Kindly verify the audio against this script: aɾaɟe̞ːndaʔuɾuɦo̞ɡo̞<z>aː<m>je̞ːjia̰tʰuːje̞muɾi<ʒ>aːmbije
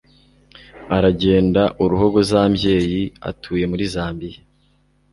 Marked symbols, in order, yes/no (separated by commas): yes, yes, no